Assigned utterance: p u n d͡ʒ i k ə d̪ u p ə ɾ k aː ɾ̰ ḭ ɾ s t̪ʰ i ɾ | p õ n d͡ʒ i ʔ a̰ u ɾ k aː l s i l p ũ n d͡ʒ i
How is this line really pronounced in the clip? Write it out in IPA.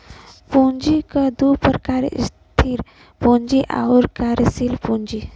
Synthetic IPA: p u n d͡ʒ i k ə d̪ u p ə ɾ k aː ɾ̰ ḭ s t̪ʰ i ɾ | p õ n d͡ʒ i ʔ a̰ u ɾ k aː ɾ s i l p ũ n d͡ʒ i